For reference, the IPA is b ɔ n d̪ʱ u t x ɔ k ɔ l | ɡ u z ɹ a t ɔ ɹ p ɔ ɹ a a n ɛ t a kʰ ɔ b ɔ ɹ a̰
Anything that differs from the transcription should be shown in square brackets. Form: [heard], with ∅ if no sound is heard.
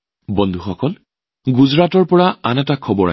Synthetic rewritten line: b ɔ n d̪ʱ u [∅] x ɔ k ɔ l | ɡ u z ɹ a t ɔ ɹ p ɔ ɹ a a n ɛ t a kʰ ɔ b ɔ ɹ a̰